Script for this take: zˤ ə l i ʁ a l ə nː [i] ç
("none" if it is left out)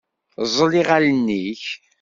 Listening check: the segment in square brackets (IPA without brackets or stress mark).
i